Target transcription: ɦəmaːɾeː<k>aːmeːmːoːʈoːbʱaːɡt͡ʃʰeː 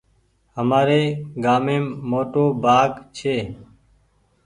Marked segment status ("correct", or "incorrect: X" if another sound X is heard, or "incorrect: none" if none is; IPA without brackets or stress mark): incorrect: ɡ